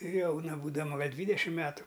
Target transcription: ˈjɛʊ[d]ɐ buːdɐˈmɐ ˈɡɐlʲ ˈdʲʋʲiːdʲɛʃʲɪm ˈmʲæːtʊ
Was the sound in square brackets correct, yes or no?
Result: no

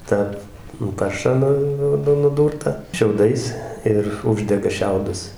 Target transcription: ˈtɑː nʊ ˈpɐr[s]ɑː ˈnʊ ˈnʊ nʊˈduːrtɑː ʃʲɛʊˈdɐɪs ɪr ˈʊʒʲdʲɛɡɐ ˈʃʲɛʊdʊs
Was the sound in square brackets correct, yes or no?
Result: no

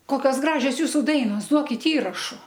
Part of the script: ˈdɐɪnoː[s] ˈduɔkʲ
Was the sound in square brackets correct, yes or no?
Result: yes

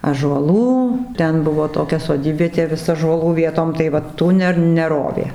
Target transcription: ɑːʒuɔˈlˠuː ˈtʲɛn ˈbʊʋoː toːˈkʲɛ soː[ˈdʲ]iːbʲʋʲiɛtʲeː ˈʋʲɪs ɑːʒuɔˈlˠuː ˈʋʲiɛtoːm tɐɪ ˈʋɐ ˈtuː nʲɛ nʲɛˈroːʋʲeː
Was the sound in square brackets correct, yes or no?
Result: yes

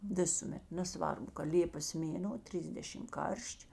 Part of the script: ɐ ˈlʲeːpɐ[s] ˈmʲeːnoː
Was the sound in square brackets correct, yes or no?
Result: yes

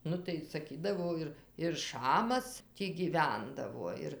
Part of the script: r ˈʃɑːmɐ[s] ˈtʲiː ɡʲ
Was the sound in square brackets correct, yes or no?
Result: yes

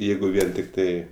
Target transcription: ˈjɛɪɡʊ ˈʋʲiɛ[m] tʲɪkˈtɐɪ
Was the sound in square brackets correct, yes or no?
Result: no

